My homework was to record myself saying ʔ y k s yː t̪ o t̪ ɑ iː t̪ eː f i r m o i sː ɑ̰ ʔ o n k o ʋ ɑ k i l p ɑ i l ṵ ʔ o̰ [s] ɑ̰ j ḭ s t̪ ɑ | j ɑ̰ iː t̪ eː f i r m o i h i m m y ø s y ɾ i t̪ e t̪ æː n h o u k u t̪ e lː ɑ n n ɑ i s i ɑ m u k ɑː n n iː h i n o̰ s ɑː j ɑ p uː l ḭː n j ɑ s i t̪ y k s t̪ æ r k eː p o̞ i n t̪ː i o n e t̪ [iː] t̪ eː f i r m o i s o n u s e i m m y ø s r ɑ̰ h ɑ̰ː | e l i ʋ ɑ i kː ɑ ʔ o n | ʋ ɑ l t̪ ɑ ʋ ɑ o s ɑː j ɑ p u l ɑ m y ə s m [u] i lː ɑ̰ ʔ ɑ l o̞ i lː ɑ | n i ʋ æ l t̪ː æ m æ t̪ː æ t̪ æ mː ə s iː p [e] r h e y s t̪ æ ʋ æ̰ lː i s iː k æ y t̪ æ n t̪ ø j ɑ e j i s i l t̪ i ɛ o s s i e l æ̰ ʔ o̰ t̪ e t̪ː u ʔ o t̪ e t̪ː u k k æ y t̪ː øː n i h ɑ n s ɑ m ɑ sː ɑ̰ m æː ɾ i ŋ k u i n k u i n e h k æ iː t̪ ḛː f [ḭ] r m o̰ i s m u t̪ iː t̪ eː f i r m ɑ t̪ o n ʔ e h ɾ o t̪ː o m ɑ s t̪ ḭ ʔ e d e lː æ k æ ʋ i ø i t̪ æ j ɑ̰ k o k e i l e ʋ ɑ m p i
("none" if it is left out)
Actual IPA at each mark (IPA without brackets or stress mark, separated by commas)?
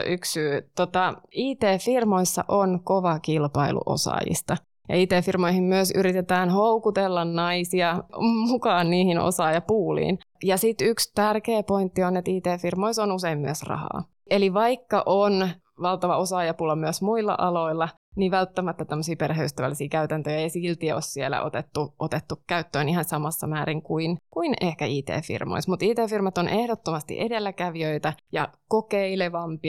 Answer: s, iː, u, e, ḭ